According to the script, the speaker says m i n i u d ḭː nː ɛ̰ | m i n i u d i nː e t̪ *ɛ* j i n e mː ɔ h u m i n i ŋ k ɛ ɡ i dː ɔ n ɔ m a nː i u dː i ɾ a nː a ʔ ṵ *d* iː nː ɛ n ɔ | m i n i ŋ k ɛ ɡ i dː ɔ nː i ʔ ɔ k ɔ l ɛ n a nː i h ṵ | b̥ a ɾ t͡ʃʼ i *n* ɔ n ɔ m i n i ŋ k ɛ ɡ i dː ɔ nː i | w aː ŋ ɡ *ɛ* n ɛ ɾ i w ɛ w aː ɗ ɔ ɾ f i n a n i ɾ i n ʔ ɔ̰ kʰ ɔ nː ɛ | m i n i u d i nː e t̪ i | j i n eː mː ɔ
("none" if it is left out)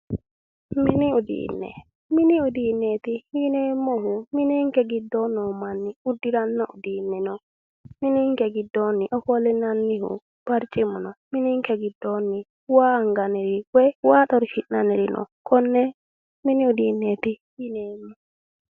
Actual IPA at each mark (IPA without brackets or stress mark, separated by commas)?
i, d, m, a